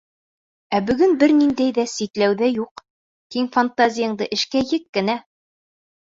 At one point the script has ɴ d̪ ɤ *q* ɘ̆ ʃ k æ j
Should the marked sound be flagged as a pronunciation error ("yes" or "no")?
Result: yes